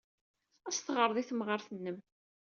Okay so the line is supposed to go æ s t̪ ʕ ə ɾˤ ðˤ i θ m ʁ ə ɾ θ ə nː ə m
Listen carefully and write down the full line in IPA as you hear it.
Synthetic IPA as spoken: æ s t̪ ʁ ə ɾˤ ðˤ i θ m ʁ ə ɾ θ ə nː ə m